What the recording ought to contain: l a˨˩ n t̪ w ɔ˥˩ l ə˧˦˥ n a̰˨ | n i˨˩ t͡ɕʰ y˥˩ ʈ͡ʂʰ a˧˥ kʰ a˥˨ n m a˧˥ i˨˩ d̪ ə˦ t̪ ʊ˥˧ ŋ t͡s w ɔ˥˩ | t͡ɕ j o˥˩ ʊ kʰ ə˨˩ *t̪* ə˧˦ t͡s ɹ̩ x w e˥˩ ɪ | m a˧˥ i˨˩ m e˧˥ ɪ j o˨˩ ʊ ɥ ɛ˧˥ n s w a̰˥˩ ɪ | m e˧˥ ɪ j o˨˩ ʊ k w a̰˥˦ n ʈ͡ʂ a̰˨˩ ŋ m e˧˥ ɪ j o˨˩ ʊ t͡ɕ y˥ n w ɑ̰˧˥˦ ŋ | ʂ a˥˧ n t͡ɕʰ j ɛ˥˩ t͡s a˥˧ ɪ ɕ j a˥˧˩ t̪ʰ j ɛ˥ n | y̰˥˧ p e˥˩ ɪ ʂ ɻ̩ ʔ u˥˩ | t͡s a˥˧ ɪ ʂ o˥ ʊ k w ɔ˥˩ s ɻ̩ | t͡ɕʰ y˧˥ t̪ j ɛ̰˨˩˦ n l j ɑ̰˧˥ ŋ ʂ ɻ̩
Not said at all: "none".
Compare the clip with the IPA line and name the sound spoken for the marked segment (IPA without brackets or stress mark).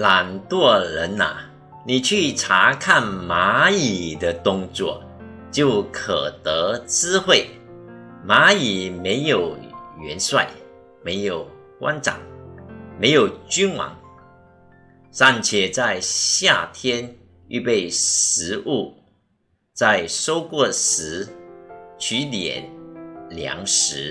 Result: t̪